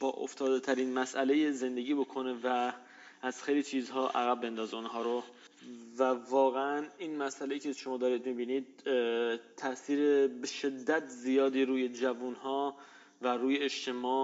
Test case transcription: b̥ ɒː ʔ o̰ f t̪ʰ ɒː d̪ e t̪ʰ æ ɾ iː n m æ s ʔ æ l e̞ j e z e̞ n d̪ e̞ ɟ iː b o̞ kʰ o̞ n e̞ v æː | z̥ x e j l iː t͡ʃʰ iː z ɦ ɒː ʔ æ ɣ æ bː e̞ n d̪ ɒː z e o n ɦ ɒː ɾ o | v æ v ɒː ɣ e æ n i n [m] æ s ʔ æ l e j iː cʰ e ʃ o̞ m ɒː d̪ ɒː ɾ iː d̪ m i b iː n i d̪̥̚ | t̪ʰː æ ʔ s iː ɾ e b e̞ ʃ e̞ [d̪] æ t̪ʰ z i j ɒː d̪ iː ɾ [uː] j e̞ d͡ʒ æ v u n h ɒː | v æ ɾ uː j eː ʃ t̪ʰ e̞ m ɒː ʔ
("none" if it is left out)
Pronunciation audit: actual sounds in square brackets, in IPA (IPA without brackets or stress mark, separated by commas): m, d̪ː, uː